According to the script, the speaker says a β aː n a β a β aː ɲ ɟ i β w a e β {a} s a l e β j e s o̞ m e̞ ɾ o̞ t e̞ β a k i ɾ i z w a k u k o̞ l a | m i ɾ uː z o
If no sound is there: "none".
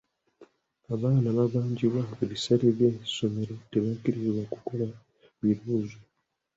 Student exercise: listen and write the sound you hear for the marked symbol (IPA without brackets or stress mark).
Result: i